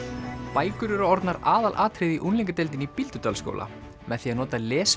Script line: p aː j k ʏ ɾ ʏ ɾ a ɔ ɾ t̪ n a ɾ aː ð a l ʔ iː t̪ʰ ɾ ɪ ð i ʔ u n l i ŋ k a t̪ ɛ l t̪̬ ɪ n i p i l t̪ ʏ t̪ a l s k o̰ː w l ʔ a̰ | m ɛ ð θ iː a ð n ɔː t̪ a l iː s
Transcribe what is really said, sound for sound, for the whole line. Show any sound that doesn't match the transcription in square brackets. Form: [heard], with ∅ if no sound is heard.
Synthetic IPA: p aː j k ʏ ɾ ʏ ɾ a ɔ ɾ t̪ n a ɾ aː ð a l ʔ [aː] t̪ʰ ɾ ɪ ð i ʔ u n l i ŋ k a t̪ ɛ l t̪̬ ɪ n i p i l t̪ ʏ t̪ a l s k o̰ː w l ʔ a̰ | m ɛ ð θ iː a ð n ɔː t̪ a l [ɛː] s

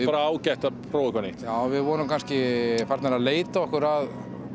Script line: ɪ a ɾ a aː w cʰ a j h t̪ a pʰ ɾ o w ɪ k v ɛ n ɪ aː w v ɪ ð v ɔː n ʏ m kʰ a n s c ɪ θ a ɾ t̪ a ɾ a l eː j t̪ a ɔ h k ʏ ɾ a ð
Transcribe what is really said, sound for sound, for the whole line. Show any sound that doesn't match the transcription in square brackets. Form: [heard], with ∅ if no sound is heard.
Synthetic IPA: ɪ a ɾ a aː w [c] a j h t̪ a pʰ ɾ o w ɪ k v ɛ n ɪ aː w v ɪ ð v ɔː n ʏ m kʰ a n s c ɪ [f] a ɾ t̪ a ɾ a l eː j t̪ a ɔ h k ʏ ɾ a ð

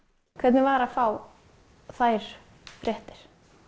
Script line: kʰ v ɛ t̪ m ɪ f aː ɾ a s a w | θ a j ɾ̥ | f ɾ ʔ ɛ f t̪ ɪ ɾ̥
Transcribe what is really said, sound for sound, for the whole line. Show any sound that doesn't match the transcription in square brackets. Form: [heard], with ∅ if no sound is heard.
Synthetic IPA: kʰ v ɛ t̪ [n] ɪ [v] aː ɾ a [f] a w | θ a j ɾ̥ | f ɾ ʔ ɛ [h] t̪ ɪ ɾ̥

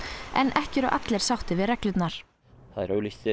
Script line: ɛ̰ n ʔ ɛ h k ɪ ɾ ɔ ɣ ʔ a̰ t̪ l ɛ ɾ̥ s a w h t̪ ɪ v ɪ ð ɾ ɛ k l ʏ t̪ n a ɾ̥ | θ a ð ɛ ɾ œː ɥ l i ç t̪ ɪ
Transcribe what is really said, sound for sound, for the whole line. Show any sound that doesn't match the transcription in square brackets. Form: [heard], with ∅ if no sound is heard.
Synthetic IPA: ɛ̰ n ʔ ɛ h [c] ɪ ɾ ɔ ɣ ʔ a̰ t̪ l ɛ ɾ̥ s a w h t̪ ɪ v ɪ ð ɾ ɛ k l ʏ t̪ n a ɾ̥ | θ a ð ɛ ɾ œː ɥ l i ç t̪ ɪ

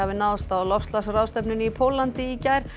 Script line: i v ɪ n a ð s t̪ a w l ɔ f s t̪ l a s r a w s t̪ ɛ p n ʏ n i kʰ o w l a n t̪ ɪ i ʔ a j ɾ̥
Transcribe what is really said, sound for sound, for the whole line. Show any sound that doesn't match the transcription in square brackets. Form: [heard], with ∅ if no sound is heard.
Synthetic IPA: [a] v ɪ n a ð s t̪ a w l ɔ f s t̪ l a s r a w s t̪ ɛ p n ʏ n i [pʰ] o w l a n t̪ ɪ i [c] a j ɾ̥

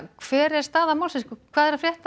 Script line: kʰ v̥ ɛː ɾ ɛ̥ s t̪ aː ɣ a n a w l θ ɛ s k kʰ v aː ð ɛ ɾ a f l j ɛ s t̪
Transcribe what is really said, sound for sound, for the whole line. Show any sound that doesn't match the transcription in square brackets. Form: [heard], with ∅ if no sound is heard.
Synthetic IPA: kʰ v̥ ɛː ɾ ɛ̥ s t̪ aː [ð] a [m] a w l [s] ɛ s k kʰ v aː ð ɛ ɾ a f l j ɛ [h] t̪

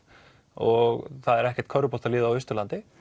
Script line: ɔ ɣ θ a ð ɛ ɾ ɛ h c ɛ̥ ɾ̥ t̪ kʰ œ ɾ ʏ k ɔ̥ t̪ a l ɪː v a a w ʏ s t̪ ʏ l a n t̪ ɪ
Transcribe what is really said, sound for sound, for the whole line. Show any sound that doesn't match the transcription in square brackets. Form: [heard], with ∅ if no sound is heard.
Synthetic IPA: ɔ ɣ θ a ð ɛ ɾ ɛ h c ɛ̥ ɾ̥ t̪ kʰ œ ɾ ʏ [p] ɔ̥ t̪ a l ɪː [ð] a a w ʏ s t̪ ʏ l a n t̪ ɪ

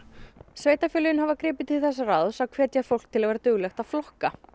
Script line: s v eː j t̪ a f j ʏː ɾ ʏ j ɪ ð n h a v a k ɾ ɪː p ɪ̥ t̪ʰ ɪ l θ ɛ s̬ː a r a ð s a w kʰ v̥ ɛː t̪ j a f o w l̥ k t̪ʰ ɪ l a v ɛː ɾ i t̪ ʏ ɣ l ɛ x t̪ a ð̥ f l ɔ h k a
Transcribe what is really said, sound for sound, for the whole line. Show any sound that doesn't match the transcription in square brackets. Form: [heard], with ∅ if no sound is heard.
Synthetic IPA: s v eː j t̪ a f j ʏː [l] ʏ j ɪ [∅] n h a v a k ɾ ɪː p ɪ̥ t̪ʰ ɪ l θ ɛ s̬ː a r a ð s a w kʰ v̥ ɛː t̪ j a f o w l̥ k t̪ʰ ɪ l a v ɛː ɾ [a] t̪ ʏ ɣ l ɛ x t̪ a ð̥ f l ɔ h k a

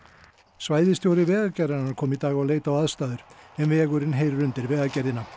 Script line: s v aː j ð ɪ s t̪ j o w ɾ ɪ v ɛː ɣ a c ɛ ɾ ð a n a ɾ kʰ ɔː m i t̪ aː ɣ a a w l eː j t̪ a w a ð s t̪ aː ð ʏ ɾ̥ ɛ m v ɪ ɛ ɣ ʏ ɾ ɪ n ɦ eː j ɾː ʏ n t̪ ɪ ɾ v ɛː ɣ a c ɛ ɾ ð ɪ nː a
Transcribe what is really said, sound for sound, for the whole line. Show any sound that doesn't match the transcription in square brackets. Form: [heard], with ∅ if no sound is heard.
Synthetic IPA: s v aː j ð ɪ s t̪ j o w ɾ ɪ v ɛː ɣ a c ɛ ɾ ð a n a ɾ kʰ ɔː m i t̪ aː ɣ a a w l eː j t̪ a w a ð s t̪ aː ð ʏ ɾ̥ ɛ m v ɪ ɛ ɣ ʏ ɾ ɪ n ɦ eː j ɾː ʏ n t̪ ɪ ɾ v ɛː ɣ a c ɛ ɾ ð ɪ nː a

